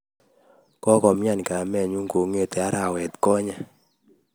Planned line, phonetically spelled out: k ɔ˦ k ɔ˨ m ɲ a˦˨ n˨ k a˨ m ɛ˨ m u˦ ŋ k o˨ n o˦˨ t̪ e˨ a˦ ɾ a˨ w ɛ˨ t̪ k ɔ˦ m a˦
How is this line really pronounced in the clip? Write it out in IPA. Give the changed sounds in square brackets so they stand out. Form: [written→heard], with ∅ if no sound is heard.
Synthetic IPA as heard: k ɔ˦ k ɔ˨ m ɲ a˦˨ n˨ k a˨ m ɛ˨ [m→ɲ] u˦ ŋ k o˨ [n→ŋ] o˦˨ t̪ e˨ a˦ ɾ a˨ w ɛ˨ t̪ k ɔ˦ [m→ɲ] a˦